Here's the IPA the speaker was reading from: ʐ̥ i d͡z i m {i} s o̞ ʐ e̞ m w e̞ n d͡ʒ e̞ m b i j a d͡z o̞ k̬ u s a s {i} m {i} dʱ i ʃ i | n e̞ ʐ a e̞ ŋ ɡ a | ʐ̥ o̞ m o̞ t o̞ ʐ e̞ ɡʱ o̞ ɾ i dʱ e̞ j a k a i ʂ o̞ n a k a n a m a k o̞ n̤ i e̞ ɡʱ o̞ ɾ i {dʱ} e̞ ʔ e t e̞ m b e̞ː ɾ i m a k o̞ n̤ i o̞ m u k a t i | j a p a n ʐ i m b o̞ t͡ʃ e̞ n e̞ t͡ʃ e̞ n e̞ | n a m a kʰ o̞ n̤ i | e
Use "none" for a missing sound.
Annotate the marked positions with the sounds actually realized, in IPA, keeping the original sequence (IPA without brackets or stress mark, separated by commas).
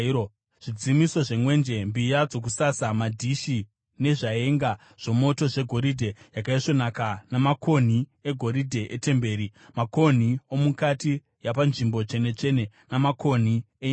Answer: i, a, a, dʱ